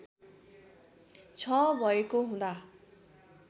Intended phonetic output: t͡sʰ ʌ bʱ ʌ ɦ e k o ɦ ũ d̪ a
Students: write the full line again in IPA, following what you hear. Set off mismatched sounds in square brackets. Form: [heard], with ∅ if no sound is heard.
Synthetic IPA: t͡sʰ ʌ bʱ ʌ [∅] e k o ɦ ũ d̪ a

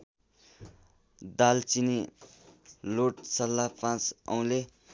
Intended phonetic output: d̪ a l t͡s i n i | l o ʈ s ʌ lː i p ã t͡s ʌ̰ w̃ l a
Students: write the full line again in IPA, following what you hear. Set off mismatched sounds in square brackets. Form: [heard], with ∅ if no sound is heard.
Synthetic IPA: d̪ a l t͡s i n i | l o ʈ s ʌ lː [a] p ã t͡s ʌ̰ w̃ l [e]

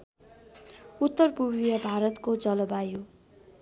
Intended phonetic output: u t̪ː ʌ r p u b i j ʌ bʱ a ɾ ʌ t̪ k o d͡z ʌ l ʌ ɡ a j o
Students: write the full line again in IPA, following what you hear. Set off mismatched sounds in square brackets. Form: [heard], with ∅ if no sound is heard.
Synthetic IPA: u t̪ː ʌ r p u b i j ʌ bʱ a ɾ ʌ t̪ k o d͡z ʌ l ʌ [b] a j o

